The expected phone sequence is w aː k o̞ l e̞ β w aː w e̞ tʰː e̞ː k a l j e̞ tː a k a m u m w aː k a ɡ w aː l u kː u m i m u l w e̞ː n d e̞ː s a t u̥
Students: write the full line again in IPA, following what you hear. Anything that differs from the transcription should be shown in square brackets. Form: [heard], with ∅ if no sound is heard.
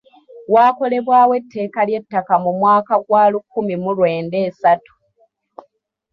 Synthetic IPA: w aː k o̞ l e̞ β w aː w e̞ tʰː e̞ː k a l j e̞ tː a k a m u m w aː k a ɡ w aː l u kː u m i m u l w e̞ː n d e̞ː s a t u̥